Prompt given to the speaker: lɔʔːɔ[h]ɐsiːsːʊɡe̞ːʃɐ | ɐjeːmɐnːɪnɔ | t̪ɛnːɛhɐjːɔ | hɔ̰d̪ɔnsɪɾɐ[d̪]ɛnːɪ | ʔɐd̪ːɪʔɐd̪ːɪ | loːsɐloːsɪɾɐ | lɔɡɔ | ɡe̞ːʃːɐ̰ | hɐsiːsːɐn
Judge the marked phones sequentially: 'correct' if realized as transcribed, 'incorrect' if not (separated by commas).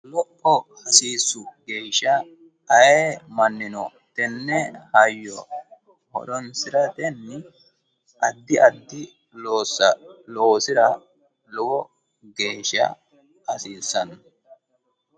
correct, incorrect